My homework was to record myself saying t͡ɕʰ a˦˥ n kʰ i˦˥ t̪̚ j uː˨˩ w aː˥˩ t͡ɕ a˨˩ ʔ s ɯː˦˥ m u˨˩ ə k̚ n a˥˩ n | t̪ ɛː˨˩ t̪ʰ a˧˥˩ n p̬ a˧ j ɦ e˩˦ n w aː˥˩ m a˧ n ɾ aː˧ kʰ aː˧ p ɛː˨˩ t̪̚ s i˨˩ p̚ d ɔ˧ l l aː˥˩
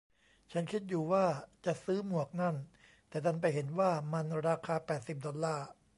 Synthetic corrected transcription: t͡ɕʰ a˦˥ n kʰ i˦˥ t̪̚ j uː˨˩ w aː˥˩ t͡ɕ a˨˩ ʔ s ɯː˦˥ m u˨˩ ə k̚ n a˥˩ n | t̪ ɛː˨˩ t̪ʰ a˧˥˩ n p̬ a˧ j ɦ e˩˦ n w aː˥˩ m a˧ n ɾ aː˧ kʰ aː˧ p ɛː˨˩ t̪̚ s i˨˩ p̚ d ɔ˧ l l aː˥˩